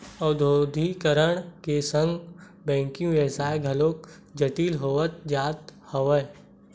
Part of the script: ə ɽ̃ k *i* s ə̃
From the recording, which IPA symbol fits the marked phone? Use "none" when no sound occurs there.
e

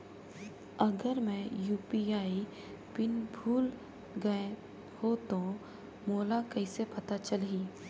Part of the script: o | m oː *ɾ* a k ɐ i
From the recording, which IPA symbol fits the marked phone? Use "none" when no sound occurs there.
l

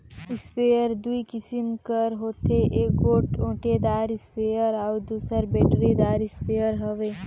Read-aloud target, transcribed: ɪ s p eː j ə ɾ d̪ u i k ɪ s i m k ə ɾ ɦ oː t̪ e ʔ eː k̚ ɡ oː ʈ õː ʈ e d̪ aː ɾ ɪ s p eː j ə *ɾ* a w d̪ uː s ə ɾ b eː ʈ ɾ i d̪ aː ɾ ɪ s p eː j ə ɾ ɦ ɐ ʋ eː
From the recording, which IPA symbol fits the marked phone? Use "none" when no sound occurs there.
ɾ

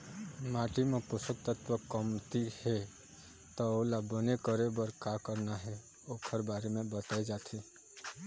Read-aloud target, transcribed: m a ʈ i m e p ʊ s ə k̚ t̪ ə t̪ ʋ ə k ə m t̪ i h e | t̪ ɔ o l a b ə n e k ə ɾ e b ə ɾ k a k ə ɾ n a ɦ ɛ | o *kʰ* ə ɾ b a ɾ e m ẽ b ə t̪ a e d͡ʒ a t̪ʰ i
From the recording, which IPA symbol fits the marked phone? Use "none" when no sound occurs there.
kʰ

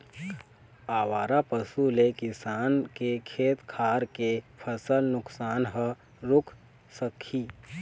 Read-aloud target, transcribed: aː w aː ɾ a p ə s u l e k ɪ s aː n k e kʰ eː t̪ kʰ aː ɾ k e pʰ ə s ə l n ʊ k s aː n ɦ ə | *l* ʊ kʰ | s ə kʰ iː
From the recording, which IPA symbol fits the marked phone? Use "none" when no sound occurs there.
ɾ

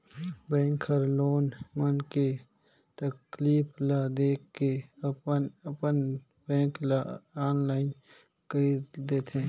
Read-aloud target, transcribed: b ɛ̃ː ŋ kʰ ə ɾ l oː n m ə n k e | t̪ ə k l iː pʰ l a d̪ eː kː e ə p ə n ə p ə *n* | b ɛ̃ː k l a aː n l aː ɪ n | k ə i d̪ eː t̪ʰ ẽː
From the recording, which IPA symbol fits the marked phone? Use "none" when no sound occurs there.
n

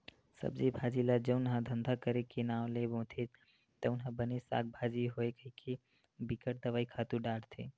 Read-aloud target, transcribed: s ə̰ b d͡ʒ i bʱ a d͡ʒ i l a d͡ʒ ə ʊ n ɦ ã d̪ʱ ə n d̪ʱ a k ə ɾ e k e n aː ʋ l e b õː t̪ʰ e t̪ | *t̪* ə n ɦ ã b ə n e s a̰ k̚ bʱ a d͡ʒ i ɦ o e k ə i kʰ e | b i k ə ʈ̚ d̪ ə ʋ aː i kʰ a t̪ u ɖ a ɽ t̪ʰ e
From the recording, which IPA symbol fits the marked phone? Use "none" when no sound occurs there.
t̪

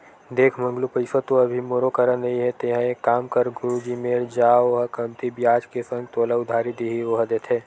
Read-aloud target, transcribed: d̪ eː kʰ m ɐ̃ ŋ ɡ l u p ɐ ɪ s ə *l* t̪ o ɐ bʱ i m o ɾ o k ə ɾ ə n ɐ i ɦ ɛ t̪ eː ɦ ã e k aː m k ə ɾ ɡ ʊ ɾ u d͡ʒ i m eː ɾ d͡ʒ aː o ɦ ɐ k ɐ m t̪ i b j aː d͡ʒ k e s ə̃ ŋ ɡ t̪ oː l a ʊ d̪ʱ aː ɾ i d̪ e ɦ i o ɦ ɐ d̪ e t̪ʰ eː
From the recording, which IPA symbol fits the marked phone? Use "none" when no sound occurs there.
none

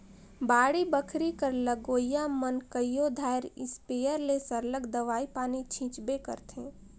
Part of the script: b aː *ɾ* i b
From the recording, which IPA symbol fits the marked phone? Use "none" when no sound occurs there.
ɽ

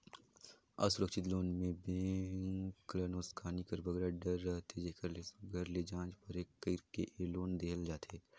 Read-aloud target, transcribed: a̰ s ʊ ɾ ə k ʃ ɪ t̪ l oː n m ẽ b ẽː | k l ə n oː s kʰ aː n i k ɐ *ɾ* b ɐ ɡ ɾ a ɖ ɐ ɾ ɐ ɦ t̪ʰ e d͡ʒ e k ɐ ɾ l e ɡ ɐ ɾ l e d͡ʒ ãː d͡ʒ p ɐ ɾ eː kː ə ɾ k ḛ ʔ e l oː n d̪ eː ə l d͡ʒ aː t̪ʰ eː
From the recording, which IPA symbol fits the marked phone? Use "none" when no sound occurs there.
ɾ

